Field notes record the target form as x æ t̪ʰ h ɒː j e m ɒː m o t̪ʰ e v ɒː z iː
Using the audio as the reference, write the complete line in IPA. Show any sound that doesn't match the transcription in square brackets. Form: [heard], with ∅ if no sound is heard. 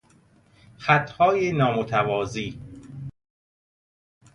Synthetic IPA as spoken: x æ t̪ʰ h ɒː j e [n] ɒː m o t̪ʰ [æ] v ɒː z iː